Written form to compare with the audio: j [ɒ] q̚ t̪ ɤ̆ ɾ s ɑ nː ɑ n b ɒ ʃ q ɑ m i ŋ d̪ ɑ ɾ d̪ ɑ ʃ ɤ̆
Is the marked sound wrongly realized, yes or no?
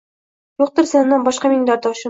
yes